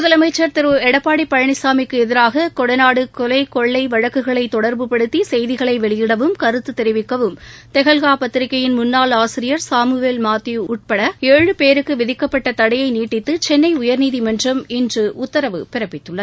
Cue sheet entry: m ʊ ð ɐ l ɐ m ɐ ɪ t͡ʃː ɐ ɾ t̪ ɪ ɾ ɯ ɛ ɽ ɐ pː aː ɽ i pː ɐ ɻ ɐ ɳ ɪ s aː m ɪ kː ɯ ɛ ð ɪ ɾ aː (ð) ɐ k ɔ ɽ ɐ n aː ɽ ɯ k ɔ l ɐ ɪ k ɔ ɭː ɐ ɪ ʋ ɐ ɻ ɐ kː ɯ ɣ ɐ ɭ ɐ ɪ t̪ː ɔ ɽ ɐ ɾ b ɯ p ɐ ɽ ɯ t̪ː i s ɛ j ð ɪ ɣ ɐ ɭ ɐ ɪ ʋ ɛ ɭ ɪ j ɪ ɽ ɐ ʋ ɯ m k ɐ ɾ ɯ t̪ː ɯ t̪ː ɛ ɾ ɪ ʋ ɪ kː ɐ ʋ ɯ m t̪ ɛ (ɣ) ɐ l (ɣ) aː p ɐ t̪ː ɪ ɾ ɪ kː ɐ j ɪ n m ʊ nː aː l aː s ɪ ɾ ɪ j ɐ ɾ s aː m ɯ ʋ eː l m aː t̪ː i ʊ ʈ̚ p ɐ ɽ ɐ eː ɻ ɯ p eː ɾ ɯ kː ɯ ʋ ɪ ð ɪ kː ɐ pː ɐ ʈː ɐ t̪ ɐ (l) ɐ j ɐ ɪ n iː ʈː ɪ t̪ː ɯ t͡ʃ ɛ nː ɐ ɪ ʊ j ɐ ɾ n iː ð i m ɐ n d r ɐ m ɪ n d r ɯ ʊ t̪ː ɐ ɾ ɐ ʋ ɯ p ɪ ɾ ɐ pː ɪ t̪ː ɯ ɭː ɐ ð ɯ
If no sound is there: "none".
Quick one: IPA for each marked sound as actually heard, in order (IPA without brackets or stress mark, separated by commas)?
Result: ɣ, ɣ, ɣ, ɽ